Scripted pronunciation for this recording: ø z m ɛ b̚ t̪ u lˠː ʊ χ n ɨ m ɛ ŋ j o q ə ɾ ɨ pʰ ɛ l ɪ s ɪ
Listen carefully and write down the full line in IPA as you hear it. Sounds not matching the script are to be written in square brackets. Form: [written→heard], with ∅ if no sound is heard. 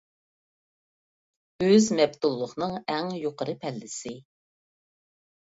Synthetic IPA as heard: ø z m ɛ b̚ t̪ u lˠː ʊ χ n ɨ [m→ŋ] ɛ ŋ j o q ə ɾ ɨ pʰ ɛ [l→lː] ɪ s ɪ